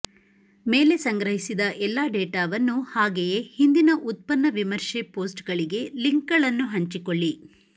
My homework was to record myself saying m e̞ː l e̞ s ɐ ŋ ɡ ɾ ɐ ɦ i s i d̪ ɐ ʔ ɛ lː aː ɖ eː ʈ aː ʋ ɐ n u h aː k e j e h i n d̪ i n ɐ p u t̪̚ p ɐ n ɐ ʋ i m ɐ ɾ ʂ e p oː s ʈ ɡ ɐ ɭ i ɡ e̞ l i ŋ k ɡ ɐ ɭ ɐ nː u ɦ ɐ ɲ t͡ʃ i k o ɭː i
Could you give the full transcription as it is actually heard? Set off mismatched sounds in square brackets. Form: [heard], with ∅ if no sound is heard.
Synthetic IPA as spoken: m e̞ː l e̞ s ɐ ŋ ɡ ɾ ɐ ɦ i s i d̪ ɐ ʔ ɛ lː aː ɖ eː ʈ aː ʋ ɐ [nː] u h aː [ɡ] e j e h i n d̪ i n ɐ [ʔ] u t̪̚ p ɐ [nː] ɐ ʋ i m ɐ ɾ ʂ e p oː s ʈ ɡ ɐ ɭ i ɡ e̞ l i ŋ k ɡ ɐ ɭ ɐ nː u ɦ ɐ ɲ t͡ʃ i k o ɭː i